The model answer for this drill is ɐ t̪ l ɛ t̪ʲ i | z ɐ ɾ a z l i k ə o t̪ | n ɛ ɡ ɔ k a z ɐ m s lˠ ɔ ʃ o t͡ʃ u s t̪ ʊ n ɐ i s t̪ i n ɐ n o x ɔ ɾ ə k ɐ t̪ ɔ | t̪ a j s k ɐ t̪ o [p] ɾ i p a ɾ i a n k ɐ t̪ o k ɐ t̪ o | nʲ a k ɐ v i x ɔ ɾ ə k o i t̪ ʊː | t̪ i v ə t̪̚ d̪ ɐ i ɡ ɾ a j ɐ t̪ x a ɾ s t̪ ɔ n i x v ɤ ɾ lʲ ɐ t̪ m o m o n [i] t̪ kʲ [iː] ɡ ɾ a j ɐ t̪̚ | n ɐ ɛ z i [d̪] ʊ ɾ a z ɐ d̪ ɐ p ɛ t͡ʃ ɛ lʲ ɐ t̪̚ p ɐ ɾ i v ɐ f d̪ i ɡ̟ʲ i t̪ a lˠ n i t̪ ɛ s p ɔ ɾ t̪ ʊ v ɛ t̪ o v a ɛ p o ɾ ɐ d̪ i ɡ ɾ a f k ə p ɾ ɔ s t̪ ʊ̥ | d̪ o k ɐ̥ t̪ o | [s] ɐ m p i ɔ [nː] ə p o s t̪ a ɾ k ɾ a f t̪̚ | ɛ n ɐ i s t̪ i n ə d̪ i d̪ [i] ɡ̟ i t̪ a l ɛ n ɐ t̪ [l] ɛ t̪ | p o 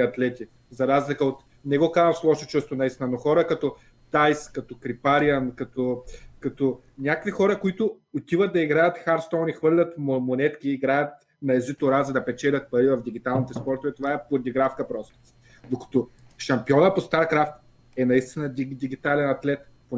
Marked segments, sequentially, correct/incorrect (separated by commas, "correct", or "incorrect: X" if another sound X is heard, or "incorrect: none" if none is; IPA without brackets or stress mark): incorrect: k, incorrect: ɛ, correct, incorrect: t̪, incorrect: ʃ, incorrect: n, correct, correct